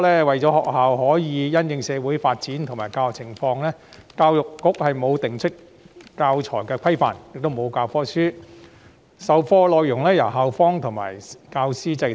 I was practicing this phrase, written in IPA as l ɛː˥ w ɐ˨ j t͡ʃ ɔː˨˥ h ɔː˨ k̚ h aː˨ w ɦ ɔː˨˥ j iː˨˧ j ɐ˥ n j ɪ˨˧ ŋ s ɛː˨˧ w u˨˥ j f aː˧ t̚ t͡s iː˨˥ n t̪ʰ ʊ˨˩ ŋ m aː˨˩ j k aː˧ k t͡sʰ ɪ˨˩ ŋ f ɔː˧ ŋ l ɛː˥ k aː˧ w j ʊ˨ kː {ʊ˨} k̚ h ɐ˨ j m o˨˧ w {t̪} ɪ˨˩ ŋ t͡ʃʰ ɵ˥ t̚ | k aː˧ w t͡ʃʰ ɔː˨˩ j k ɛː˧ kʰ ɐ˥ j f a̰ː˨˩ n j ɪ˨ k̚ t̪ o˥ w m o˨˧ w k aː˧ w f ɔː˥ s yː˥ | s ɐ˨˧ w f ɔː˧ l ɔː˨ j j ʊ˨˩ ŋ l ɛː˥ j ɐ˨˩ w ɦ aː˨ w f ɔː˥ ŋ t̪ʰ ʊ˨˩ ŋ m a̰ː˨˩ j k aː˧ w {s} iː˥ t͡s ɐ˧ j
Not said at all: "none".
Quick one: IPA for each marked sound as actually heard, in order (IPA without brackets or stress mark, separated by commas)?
ʊ˨˥, t̪, s